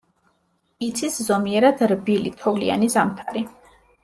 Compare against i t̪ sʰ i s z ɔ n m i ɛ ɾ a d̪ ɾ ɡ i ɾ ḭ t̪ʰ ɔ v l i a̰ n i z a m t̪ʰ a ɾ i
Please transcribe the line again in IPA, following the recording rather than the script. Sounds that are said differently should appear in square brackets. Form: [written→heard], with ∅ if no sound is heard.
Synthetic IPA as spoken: i t̪ sʰ i s z ɔ [n→∅] m i ɛ ɾ a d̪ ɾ [ɡ→b] i [ɾ→l] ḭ t̪ʰ ɔ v l i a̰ n i z a m t̪ʰ a ɾ i